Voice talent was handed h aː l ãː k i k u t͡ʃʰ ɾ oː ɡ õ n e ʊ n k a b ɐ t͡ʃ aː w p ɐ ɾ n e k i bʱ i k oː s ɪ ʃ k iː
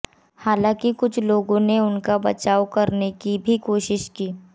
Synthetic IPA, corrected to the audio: h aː l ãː k i k ʊ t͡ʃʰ l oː ɡ õ n e ʊ n k a b ɐ t͡ʃ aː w k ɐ ɾ n e k i bʱ i k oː ʃ ɪ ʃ k iː